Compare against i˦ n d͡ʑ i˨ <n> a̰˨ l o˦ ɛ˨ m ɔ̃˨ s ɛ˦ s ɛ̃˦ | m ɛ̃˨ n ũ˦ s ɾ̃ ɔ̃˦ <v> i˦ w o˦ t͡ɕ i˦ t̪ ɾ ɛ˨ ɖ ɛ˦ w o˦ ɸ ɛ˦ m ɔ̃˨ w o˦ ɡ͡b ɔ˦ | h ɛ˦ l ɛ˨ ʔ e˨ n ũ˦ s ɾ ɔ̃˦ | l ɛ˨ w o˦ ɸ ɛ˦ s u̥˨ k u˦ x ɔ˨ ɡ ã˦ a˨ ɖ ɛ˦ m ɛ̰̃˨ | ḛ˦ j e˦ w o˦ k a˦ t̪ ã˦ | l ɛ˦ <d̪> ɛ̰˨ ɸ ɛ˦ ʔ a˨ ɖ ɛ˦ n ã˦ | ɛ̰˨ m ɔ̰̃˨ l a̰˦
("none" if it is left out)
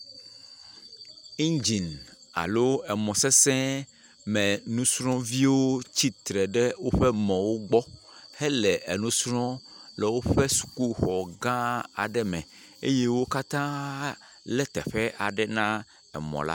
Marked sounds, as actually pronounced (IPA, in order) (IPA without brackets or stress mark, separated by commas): n, v, t̪